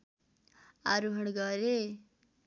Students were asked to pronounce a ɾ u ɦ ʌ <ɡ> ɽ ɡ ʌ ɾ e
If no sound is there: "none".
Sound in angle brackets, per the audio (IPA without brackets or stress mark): none